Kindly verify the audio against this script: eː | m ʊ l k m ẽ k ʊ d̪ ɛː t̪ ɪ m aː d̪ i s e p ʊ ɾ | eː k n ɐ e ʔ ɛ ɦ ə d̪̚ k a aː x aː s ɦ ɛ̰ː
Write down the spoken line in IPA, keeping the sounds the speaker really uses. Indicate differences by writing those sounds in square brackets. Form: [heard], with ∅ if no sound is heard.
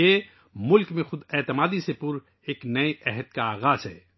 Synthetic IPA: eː | m ʊ l k m ẽ [x] ʊ d̪ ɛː t̪ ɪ m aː d̪ i s e p ʊ ɾ | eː k n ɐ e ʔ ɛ ɦ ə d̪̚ k a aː [ɣ] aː [z] ɦ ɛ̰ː